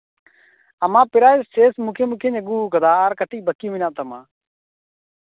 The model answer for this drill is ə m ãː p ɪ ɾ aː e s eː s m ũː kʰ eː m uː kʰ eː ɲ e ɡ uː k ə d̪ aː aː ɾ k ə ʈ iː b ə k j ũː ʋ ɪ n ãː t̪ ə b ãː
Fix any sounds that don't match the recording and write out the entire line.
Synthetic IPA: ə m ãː p ɪ ɾ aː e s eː s m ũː kʰ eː m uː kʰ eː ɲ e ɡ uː k ə d̪ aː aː ɾ k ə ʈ iː b ə k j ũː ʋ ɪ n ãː t̪ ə m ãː